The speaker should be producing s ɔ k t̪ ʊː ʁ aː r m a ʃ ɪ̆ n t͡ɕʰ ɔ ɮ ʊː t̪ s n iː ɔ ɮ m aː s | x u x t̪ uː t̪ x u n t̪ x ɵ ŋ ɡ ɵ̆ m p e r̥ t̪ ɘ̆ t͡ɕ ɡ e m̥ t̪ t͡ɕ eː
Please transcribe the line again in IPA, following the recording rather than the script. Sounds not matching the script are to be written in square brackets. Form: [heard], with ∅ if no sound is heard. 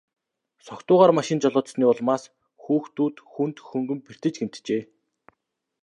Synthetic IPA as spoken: s ɔ k t̪ ʊː ʁ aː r m a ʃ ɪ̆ n [t͡ɕ] ɔ ɮ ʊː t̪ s n iː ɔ ɮ m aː s | x [uː] x t̪ uː t̪ x u n t̪ x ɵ ŋ ɡ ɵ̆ m p e r̥ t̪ ɘ̆ t͡ɕ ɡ e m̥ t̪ t͡ɕ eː